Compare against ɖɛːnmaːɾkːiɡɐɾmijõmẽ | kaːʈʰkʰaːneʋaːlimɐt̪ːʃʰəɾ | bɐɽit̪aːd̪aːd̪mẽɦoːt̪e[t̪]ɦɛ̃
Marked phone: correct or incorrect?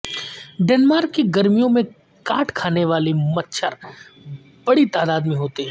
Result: incorrect: none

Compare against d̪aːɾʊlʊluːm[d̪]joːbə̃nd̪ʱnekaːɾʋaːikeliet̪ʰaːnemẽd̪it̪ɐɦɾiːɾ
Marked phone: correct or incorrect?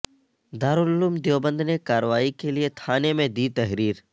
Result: correct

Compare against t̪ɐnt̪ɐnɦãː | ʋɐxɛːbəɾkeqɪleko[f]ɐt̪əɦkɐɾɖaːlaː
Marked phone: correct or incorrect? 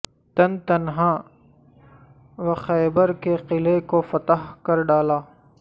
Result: correct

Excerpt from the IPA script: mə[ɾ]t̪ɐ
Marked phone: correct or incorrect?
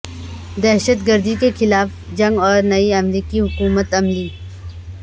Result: incorrect: none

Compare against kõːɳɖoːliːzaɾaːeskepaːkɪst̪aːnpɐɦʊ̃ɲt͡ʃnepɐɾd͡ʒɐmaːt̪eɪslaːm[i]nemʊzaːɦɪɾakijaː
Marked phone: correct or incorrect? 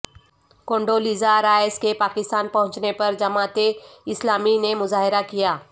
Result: correct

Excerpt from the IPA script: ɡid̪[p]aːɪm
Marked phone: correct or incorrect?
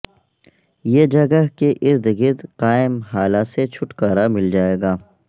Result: incorrect: q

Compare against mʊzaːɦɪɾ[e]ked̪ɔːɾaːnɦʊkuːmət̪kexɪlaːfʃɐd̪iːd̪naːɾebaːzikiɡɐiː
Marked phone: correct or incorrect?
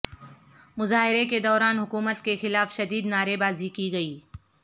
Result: correct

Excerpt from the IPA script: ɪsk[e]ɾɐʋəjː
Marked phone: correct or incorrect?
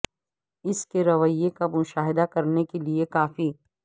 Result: correct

